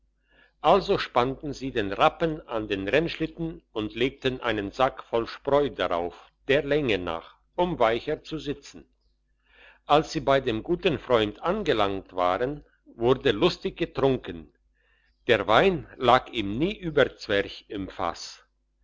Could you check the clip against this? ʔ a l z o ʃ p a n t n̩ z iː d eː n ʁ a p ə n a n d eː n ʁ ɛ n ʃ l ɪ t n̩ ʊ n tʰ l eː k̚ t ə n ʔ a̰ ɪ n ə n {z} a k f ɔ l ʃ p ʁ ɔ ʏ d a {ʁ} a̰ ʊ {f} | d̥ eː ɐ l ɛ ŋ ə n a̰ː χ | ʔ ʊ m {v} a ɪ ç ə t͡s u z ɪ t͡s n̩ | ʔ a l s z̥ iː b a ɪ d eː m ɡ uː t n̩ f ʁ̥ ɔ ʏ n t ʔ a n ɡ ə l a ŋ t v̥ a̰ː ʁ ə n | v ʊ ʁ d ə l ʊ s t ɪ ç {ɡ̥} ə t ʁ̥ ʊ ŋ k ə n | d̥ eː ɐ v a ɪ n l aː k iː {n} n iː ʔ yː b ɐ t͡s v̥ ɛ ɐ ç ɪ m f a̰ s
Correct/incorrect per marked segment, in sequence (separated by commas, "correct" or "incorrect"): correct, correct, correct, correct, correct, incorrect